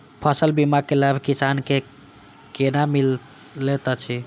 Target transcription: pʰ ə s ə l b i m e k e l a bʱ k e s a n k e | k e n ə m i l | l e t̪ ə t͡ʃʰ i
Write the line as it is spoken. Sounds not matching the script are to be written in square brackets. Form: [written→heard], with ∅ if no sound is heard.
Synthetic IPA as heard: pʰ ə s ə l b i m [e→a] k e l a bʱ k [e→i] s a n k e | k e n [ə→a] m i l | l e t̪ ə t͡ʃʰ i